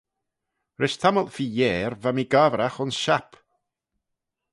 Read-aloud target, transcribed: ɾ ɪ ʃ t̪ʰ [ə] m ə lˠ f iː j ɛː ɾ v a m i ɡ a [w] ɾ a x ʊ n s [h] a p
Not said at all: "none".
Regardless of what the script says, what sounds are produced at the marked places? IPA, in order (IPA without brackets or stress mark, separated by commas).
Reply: a, v, ʃ